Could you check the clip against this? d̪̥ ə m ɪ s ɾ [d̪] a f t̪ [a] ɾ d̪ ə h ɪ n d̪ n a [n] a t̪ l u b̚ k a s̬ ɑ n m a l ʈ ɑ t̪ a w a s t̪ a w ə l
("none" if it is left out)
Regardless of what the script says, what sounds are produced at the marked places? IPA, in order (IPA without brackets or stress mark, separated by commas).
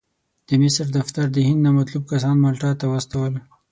d̪, a, m